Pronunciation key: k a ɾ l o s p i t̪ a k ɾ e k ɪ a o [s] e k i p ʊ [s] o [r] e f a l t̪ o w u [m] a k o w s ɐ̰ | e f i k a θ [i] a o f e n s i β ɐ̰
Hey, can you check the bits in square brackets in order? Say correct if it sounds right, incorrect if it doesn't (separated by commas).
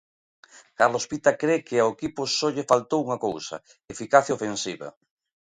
incorrect, correct, incorrect, incorrect, incorrect